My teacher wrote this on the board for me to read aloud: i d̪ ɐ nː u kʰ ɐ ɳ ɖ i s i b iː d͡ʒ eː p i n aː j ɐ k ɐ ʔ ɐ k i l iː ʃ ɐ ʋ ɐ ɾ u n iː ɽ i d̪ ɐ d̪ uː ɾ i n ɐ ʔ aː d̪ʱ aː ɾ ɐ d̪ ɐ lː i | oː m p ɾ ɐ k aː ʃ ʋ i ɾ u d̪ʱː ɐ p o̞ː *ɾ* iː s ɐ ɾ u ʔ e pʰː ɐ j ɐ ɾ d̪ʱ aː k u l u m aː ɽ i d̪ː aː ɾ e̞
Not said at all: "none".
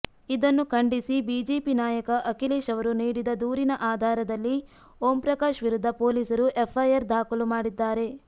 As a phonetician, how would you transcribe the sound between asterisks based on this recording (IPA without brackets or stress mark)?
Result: l